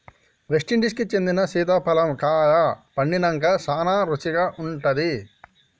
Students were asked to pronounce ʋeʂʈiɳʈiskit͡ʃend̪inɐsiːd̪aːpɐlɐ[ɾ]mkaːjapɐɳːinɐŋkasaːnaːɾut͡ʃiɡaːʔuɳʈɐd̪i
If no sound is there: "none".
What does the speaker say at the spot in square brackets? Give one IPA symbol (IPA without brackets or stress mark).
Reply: none